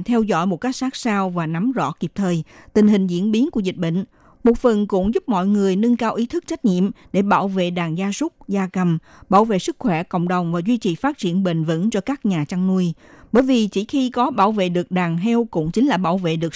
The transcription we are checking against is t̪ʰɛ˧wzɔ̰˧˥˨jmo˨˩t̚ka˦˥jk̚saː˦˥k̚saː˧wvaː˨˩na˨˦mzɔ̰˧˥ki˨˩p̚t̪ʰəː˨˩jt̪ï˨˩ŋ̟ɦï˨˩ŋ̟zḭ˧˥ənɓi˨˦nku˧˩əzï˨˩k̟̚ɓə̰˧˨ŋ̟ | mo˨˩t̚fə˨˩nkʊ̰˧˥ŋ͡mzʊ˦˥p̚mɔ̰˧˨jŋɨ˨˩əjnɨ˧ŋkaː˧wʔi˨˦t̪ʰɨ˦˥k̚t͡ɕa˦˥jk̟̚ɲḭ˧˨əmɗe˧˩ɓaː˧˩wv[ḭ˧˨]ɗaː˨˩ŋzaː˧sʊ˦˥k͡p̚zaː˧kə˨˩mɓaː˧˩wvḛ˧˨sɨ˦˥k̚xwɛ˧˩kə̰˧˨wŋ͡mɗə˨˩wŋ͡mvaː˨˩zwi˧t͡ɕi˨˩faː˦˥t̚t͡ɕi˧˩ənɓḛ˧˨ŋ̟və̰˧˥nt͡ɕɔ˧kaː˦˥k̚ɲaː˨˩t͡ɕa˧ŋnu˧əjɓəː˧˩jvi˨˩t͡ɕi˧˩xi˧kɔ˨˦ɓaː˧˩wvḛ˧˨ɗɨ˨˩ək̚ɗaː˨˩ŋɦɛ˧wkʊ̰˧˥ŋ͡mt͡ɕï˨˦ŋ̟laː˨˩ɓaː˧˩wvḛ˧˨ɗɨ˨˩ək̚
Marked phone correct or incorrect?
incorrect